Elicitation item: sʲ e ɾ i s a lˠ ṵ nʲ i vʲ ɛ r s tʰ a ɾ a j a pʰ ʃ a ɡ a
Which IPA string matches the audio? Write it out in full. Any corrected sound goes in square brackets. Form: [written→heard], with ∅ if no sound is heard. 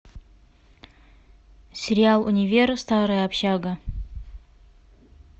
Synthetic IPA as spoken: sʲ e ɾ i [s→∅] a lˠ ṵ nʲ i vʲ [ɛ→e] r s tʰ a ɾ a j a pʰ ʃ a ɡ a